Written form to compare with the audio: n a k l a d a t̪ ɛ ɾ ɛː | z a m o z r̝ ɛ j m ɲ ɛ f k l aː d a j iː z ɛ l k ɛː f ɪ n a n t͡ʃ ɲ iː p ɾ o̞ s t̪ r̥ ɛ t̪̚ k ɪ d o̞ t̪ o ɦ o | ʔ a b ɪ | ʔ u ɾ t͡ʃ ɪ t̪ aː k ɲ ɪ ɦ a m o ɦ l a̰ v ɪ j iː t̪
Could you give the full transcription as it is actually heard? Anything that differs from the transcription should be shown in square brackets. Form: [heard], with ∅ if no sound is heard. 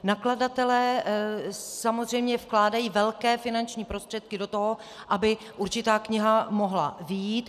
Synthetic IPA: n a k l a d a t̪ ɛ [l] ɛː | [s] a m o z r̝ ɛ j m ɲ ɛ f k l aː d a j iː [v] ɛ l k ɛː f ɪ n a n t͡ʃ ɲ iː p ɾ o̞ s t̪ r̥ ɛ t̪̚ k ɪ d o̞ t̪ o ɦ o | ʔ a b ɪ | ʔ u ɾ t͡ʃ ɪ t̪ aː k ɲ ɪ ɦ a m o ɦ l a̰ v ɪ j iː t̪